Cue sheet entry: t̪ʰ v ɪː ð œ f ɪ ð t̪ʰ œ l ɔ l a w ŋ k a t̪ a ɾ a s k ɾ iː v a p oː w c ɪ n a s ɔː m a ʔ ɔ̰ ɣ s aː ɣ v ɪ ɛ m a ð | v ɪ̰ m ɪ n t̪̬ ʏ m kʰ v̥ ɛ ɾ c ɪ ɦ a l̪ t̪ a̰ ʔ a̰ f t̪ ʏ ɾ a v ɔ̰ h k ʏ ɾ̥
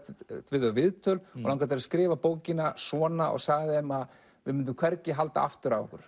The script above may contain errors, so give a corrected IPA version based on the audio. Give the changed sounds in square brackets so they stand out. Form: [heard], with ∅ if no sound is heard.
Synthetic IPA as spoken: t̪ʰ v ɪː ð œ [v] ɪ ð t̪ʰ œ l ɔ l a w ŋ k a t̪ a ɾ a s k ɾ [ɪː] v a p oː w c ɪ n a s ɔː [n] a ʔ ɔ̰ ɣ s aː ɣ [ð] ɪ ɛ m a ð | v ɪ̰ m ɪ n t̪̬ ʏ m kʰ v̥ ɛ ɾ c ɪ ɦ a l̪ t̪ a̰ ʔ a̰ f t̪ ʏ ɾ a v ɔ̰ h k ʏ ɾ̥